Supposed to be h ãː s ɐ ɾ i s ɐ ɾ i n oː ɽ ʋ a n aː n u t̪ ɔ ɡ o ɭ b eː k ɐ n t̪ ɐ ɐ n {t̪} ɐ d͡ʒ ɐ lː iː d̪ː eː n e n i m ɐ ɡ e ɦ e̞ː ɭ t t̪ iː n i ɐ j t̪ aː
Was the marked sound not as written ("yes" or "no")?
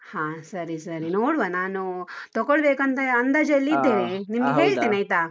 yes